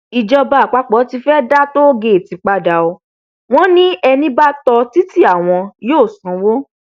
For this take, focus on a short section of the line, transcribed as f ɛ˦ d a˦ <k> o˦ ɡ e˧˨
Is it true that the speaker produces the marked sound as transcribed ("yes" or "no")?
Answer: no